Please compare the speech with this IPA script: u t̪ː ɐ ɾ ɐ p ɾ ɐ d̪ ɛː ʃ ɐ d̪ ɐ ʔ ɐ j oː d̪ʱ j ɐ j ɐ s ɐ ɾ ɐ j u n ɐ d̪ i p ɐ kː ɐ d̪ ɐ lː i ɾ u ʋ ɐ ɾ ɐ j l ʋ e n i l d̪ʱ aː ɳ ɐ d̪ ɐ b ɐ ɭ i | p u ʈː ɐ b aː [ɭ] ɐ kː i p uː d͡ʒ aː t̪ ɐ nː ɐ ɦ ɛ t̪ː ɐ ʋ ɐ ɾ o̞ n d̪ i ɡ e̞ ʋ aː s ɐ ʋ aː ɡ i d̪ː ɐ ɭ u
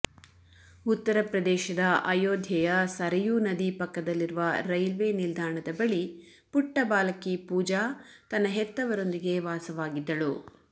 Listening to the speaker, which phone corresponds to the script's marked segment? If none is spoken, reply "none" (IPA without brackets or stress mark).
l